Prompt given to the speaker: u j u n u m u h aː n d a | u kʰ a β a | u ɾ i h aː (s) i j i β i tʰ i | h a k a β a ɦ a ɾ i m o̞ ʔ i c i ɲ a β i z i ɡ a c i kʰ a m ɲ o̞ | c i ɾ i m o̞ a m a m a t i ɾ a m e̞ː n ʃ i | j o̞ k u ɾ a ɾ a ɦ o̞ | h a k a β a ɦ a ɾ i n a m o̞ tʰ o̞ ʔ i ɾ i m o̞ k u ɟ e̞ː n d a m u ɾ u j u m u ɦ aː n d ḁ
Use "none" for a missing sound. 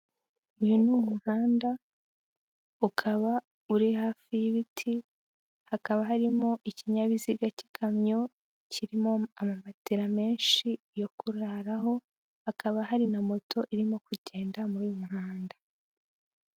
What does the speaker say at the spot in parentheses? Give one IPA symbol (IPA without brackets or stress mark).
f